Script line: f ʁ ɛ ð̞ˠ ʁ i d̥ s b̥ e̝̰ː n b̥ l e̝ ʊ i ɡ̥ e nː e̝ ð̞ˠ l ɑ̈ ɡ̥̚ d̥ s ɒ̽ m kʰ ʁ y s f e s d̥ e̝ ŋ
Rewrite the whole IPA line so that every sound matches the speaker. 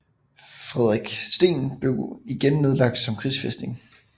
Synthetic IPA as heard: f ʁ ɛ ð̞ˠ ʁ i ɡ̥ s d̥ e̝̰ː n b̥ l e̝ ʊ i ɡ̥ e nː e̝ ð̞ˠ l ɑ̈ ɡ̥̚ d̥ s ɒ̽ m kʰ ʁ i s f e s d̥ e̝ ŋ